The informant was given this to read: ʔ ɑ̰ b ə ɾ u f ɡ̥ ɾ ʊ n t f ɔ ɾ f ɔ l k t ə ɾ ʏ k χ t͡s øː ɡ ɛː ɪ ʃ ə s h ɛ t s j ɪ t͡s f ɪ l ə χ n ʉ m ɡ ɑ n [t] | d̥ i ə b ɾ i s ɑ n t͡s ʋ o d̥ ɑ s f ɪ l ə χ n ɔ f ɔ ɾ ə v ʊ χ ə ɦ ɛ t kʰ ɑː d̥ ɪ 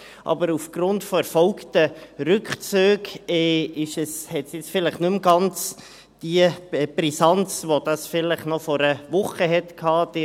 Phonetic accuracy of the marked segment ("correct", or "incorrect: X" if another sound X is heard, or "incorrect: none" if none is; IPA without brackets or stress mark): incorrect: t͡s